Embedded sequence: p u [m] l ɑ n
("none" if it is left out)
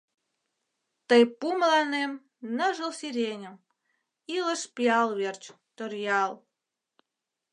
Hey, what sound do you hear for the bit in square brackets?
m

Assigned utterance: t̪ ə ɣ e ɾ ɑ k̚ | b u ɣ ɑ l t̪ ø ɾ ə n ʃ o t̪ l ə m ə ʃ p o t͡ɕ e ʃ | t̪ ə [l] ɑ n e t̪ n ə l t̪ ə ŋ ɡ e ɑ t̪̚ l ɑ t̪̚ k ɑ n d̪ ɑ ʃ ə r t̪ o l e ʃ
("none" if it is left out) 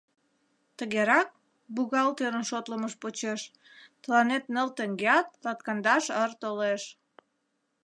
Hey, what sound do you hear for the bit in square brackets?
l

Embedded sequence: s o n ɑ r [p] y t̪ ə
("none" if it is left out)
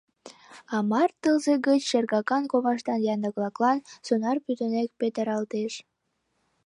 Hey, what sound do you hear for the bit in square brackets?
p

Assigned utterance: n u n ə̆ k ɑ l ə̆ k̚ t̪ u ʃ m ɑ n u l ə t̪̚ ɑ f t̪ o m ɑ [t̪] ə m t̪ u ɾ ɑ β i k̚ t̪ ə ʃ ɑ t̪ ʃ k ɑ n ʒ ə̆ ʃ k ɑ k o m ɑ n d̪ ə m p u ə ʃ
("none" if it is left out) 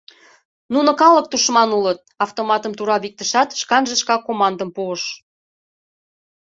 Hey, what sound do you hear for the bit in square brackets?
t̪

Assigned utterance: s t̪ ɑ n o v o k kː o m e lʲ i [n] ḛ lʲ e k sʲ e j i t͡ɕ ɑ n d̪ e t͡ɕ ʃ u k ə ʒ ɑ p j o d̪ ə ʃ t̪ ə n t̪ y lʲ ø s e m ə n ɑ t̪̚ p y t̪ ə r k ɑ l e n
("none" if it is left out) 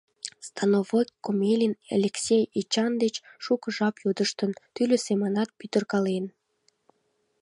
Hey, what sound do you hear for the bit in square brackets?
n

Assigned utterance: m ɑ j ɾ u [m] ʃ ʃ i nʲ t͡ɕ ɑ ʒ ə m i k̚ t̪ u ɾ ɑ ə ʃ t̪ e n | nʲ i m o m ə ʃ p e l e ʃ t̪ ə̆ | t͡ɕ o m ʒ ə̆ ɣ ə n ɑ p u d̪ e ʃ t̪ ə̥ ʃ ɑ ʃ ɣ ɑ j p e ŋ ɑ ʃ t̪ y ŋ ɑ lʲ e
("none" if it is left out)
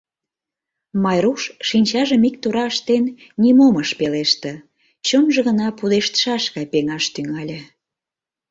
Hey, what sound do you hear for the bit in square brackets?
none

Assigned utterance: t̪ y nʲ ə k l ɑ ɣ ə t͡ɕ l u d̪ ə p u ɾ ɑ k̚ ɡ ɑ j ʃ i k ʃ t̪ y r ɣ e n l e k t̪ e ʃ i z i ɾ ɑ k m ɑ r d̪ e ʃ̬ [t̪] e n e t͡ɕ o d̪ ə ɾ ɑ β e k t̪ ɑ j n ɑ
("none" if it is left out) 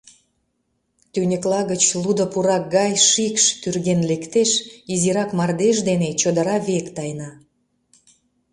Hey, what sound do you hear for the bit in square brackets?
d̪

